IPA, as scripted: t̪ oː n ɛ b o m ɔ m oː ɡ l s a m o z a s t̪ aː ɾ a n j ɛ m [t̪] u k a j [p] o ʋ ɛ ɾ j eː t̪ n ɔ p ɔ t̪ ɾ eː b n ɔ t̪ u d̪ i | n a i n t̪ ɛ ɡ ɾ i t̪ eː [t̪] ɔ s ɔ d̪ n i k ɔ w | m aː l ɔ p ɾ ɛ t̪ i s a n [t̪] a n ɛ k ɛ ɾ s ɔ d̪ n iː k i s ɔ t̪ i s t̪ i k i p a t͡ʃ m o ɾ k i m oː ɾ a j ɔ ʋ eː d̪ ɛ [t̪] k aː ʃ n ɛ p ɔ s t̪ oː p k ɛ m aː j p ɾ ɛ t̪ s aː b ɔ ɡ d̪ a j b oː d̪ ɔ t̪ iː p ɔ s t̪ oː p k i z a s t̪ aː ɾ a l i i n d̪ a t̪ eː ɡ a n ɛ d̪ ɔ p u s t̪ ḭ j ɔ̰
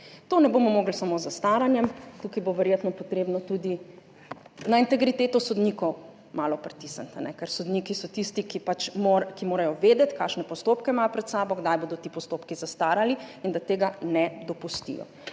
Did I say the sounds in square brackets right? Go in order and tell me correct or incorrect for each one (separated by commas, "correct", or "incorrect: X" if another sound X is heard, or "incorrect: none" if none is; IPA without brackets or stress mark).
correct, incorrect: b, correct, correct, correct